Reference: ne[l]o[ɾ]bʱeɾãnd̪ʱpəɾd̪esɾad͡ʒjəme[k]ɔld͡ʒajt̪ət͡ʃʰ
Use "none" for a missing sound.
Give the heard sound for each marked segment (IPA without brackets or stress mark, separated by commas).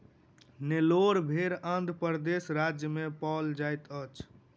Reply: l, ɾ, p